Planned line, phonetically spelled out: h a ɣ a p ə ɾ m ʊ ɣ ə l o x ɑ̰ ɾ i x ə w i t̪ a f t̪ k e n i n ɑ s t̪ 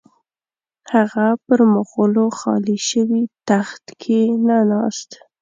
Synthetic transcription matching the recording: h a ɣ a p ə ɾ m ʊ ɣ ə l o x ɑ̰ l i ʃ ə w i t̪ a x t̪ kʰ e n a n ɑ s t̪